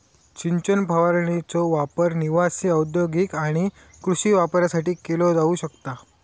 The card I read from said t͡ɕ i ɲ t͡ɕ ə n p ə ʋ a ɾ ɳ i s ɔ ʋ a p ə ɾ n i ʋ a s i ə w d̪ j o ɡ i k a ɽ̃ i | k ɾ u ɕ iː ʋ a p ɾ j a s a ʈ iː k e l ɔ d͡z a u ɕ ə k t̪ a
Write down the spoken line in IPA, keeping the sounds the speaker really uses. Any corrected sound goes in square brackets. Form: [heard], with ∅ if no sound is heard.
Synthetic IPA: t͡ɕ i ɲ t͡ɕ ə n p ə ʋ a ɾ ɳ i [t͡s] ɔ ʋ a p ə ɾ n i ʋ a s i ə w d̪ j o ɡ i k a ɽ̃ i | k ɾ u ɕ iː ʋ a p ɾ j a s a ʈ iː k e l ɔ d͡z a u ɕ ə k t̪ a